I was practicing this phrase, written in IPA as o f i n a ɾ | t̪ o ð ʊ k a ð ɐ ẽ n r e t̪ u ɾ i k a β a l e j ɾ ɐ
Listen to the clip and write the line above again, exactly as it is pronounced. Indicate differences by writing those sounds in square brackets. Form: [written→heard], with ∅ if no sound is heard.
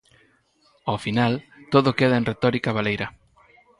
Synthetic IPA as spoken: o f i n a [ɾ→l] | t̪ o ð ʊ k [a→e] ð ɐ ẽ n r e t̪ [u→ɔ] ɾ i k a β a l e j ɾ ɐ